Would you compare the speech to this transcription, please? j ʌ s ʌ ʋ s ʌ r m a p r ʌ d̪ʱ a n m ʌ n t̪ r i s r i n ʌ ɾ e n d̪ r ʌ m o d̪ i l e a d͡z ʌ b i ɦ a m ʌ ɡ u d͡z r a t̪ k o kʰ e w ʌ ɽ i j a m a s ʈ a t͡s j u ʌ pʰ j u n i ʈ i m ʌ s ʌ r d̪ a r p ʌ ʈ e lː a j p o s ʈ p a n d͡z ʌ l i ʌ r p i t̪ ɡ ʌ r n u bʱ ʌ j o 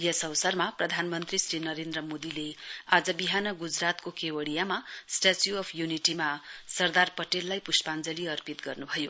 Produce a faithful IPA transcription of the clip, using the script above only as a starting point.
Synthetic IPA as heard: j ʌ s ʌ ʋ s ʌ r m a p r ʌ d̪ʱ a n m ʌ n t̪ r i s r i n ʌ ɾ e n d̪ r ʌ m o d̪ i l e a d͡z ʌ b i ɦ a n ʌ ɡ u d͡z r a t̪ k o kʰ e w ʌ ɽ i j a m a s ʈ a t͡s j u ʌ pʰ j u n i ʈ i m a s ʌ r d̪ a r p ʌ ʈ e lː a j p u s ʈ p a n d͡z ʌ l i ʌ r p i t̪ ɡ ʌ r n u bʱ ʌ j o

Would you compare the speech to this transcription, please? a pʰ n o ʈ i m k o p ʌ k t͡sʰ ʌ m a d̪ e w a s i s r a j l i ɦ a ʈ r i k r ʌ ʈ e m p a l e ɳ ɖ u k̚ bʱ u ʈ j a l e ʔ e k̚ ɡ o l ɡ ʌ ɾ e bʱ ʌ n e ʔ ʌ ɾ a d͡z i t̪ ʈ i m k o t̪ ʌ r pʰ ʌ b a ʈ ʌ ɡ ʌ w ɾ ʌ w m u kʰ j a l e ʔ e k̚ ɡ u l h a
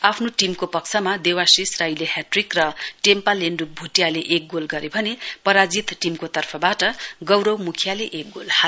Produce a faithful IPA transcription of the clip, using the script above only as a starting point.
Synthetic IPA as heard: a pʰ n o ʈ i m k o p ʌ k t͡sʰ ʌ m a d̪ e w a s i s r a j l e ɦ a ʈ r i k r ʌ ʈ e m p a l e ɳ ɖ u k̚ bʱ u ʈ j a l e ʔ e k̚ ɡ o l ɡ ʌ ɾ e bʱ ʌ n e p ʌ ɾ a d͡z i t̪ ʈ i m k o t̪ ʌ r pʰ ʌ b a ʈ ʌ ɡ ʌ w ɾ ʌ w m u kʰ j a l e ʔ e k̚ ɡ o l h a

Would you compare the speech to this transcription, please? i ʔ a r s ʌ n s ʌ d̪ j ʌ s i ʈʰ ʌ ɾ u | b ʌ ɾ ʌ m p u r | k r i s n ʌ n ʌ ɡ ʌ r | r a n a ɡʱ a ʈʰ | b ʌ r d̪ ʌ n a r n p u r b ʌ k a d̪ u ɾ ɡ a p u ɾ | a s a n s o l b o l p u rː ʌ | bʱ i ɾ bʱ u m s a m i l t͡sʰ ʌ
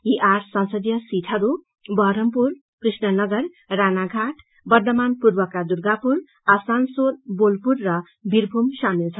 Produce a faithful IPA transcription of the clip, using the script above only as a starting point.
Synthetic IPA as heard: i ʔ a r s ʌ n s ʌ d̪ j ʌ s i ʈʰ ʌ ɾ u | b ʌ ɾ ʌ m p u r | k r i s n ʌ n ʌ ɡ ʌ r | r a n a ɡʱ a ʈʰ | b ʌ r d̪ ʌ m a n p u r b ʌ k a d̪ u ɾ ɡ a p u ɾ | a s a n s o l b o l p u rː ʌ | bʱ i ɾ bʱ u m s a m i l t͡sʰ ʌ

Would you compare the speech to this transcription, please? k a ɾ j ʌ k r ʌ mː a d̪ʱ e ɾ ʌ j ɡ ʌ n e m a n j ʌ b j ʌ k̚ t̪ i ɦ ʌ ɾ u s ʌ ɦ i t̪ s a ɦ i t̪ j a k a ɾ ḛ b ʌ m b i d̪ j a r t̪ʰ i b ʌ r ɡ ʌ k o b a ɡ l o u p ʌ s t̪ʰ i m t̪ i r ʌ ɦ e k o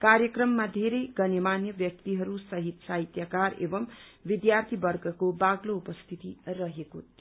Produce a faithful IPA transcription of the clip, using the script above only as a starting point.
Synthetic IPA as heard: k a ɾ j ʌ k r ʌ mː a d̪ʱ e ɾ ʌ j ɡ ʌ n e m a n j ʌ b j ʌ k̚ t̪ i ɦ ʌ ɾ u s ʌ ɦ i t̪ s a ɦ i t̪ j a k a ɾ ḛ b ʌ m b i d̪ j a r t̪ʰ i b ʌ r ɡ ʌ k o b a ɡ l o u p ʌ s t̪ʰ i t̪ i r ʌ ɦ e k o

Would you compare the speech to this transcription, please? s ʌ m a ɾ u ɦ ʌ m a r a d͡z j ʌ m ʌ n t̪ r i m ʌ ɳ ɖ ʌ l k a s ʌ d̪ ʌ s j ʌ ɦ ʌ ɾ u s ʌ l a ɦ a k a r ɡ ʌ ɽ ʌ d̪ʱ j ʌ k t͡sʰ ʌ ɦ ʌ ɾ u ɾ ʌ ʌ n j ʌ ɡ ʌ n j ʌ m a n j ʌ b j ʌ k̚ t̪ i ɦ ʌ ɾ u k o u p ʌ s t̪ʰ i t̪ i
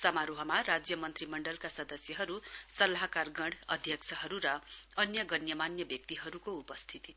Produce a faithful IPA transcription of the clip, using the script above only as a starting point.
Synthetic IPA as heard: s ʌ m a ɾ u ɦ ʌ m a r a d͡z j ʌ m ʌ n t̪ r i m ʌ ɳ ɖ ʌ l k a s ʌ d̪ ʌ s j ʌ ɦ ʌ ɾ u s ʌ l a ɦ a k a r ɡ ʌ ɽ ʌ d̪ʱ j ʌ k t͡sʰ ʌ ɦ ʌ ɾ u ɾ ʌ ʌ n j ʌ ɡ ʌ n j ʌ m a n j ʌ b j ʌ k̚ t̪ i ɦ ʌ ɾ u k o u p ʌ s t̪ʰ i t̪ i

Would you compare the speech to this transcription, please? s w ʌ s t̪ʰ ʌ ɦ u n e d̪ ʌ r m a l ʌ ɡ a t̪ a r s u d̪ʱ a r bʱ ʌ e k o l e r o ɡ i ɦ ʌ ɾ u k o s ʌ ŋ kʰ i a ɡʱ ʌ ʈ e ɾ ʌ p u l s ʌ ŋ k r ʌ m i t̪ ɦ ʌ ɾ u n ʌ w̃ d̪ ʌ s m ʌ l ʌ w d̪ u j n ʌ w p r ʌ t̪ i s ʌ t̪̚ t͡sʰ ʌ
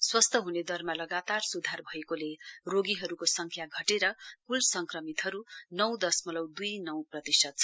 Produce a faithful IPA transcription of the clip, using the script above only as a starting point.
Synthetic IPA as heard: s w ʌ s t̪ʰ ʌ ɦ u n e d̪ ʌ r m a l ʌ ɡ a t̪ a r s u d̪ʱ a r bʱ ʌ e k o l e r o ɡ i ɦ ʌ ɾ u k o s ʌ ŋ kʰ j a ɡʱ ʌ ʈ e ɾ ʌ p u l s ʌ ŋ k r ʌ m i t̪ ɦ ʌ ɾ u n ʌ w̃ d̪ ʌ s m ʌ l ʌ w d̪ u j n ʌ w p r ʌ t̪ i s ʌ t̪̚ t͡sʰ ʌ

